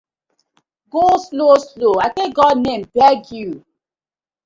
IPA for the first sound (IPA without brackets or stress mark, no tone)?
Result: ɡ